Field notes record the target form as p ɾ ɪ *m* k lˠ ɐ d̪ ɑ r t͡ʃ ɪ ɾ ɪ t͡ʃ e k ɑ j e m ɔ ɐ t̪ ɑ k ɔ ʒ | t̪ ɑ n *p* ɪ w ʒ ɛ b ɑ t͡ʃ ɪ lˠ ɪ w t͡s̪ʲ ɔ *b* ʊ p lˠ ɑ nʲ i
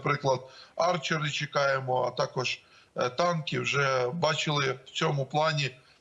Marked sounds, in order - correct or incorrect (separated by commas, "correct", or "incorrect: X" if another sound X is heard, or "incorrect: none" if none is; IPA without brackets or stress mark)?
incorrect: none, incorrect: k, incorrect: m